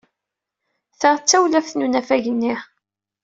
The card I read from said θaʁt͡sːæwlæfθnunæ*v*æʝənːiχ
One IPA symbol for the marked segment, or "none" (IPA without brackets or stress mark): f